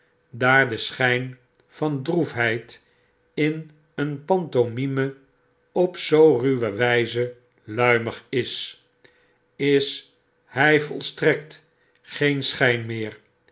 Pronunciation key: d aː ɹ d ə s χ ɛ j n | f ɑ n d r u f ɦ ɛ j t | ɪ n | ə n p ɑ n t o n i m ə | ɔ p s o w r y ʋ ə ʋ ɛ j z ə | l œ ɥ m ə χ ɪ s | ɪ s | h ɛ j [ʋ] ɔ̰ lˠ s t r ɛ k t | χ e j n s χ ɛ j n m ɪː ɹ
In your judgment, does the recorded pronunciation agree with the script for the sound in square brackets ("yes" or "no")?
no